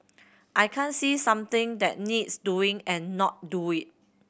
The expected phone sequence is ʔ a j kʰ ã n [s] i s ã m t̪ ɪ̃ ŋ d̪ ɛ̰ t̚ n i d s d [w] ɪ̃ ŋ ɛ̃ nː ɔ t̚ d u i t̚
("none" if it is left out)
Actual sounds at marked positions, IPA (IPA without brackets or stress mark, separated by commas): s, u